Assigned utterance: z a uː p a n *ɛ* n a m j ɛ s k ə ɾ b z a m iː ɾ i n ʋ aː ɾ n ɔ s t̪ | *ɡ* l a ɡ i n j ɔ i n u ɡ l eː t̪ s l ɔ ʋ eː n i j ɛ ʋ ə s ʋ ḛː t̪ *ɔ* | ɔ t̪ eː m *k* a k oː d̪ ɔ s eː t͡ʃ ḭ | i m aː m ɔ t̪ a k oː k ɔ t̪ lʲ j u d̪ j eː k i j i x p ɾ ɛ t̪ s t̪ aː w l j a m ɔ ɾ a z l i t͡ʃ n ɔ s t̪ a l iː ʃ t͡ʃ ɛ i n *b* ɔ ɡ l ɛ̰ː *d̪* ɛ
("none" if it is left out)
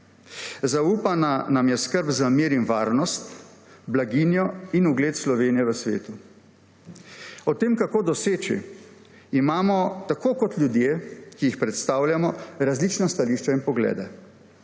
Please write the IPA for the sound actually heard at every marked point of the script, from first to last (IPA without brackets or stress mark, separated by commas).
a, b, u, k, p, d̪